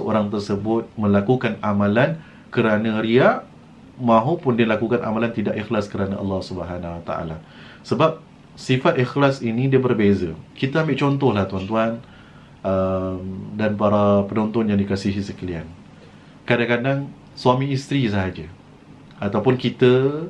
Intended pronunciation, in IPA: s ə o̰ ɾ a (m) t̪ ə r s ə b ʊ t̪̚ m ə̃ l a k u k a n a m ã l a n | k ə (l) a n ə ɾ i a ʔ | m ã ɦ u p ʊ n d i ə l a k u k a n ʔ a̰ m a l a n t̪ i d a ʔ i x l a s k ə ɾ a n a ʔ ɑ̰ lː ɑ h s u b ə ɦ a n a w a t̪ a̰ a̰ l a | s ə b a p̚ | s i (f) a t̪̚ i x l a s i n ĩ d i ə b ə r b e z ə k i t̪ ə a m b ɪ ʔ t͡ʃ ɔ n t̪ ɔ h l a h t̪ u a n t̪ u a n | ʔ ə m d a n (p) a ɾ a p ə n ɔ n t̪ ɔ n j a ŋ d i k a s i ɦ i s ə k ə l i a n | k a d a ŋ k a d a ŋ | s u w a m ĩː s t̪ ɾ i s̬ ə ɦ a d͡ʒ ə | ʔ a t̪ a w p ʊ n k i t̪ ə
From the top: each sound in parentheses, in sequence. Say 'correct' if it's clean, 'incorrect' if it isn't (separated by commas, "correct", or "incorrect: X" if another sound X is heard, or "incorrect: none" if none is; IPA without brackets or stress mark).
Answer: incorrect: ŋ, incorrect: ɾ, correct, correct